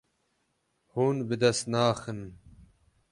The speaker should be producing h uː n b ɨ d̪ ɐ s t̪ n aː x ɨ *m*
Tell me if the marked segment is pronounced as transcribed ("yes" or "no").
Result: no